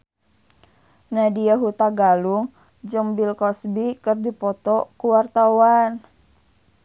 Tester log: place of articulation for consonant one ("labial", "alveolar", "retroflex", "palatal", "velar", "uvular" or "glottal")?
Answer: alveolar